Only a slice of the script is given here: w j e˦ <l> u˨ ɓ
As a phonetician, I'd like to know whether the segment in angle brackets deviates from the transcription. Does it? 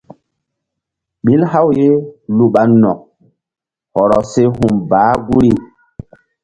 no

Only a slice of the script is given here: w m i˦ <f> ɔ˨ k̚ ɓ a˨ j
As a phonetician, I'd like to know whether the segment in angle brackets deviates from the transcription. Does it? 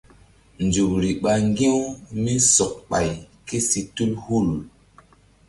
yes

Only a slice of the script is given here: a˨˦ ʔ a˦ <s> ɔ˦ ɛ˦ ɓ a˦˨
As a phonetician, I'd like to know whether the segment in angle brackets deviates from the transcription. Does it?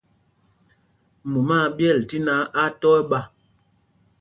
yes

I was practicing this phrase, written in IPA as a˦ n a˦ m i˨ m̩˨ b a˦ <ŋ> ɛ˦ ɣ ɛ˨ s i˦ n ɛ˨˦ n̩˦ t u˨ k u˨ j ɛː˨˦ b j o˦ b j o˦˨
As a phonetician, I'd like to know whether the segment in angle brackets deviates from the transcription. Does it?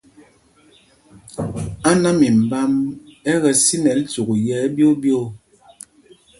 yes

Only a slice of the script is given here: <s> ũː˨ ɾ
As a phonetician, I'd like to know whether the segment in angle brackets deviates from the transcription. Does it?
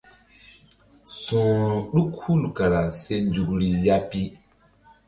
no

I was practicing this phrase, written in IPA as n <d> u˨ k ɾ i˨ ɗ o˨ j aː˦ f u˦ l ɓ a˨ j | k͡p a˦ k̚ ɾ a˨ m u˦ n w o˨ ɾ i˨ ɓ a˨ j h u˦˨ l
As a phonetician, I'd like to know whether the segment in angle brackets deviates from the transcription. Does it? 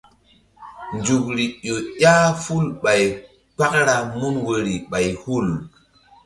yes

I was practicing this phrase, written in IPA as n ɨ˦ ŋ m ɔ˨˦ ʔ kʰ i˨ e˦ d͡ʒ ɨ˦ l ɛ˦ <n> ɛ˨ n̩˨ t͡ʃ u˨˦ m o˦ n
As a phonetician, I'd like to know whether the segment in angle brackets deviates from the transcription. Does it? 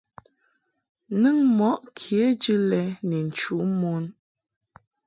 no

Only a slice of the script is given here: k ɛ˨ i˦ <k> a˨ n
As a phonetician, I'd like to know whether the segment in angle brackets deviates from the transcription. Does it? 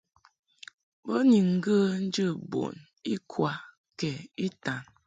yes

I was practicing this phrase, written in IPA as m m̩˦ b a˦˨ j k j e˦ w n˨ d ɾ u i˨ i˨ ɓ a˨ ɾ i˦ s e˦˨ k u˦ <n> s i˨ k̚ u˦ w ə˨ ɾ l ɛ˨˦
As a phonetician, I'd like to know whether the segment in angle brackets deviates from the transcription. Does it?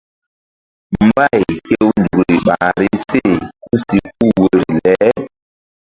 yes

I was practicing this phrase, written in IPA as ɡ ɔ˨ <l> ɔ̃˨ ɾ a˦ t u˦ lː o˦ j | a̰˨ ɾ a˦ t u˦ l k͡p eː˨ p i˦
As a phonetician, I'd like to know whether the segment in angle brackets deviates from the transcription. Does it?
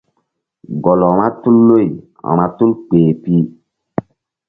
no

